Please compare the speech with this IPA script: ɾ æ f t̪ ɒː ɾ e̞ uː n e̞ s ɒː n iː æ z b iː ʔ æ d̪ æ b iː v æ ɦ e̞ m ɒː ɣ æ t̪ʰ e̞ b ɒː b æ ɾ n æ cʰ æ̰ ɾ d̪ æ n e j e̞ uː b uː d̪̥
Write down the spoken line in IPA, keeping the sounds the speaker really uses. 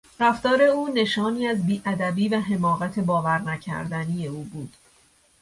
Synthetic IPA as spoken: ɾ æ f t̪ ɒː ɾ e̞ uː n e̞ ʃ ɒː n iː æ z b iː ʔ æ d̪ æ b iː v æ ɦ e̞ m ɒː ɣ æ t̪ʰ e̞ b ɒː v æ ɾ n æ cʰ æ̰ ɾ d̪ æ n i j e̞ uː b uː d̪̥